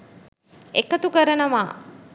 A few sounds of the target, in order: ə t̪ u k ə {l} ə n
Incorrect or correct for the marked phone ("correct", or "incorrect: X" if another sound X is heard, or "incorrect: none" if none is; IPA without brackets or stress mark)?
incorrect: ɾ